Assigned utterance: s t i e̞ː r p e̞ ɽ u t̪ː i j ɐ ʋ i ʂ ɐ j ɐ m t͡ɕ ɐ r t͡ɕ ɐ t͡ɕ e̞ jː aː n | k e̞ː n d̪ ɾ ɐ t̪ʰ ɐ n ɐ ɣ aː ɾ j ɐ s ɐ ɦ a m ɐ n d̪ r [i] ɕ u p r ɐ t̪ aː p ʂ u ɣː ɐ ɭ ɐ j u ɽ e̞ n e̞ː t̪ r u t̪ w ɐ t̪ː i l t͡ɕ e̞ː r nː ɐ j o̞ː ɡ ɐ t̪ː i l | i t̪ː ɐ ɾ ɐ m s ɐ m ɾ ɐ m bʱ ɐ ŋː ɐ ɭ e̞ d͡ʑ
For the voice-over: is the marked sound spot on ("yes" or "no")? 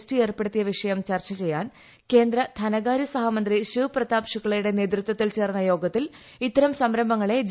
yes